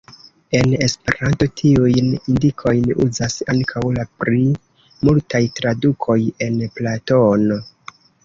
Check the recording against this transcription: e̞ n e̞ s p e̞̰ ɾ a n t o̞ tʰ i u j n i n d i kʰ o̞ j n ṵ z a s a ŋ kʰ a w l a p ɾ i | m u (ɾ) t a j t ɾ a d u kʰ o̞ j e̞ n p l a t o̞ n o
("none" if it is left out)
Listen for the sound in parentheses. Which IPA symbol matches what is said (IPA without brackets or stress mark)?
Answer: l